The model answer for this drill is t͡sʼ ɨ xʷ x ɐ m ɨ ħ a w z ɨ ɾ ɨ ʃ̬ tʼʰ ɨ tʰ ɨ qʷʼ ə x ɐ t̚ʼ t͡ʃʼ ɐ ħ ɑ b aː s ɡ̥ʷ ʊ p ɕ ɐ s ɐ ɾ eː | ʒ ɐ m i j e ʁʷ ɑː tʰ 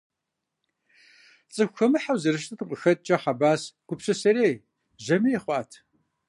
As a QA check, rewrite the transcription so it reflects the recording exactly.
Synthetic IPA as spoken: t͡sʼ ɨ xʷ x ɐ m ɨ ħ a w z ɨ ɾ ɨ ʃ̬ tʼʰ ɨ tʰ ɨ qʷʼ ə x ɐ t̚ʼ t͡ʃʼ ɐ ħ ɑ b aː s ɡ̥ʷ ʊ p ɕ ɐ s ɐ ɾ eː | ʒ ɐ m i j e χʷ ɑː tʰ